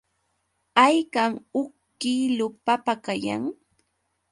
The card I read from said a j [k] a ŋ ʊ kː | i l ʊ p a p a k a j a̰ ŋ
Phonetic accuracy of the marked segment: correct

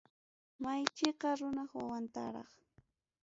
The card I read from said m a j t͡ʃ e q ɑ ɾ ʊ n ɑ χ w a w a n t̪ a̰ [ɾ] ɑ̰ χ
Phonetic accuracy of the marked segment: correct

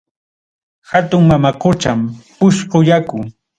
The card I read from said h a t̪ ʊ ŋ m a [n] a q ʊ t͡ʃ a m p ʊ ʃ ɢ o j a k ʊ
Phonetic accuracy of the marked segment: incorrect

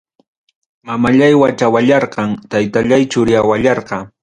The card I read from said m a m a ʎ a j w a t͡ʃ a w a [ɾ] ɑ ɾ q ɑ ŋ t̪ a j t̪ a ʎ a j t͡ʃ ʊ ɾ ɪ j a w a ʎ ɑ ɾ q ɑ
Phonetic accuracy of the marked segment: incorrect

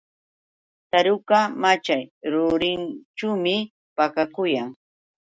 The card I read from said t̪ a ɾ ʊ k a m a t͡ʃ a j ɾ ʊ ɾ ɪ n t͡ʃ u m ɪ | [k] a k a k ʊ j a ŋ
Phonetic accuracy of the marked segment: incorrect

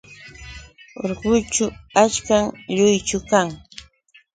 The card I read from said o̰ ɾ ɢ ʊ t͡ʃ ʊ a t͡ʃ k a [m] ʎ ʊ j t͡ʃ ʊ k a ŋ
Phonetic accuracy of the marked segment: incorrect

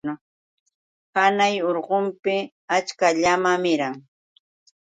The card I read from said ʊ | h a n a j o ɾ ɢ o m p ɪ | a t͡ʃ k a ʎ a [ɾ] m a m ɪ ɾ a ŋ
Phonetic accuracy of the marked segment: incorrect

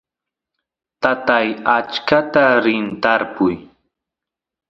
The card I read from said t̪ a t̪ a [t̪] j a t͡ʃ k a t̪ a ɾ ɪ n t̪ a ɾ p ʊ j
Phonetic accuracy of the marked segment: incorrect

